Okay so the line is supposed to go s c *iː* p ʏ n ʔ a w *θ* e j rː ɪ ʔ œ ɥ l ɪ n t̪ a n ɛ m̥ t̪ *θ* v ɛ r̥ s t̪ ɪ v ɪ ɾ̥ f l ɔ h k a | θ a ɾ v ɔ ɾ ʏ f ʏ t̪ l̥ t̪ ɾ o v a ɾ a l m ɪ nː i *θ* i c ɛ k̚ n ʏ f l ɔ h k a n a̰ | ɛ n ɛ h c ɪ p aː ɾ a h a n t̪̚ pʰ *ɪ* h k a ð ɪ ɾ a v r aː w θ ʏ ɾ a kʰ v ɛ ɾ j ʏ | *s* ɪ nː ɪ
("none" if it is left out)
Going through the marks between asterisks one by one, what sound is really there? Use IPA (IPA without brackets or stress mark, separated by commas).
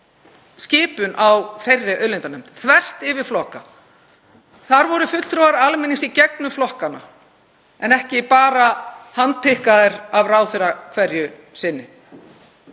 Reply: ɪː, f, θ, s, ɪ, s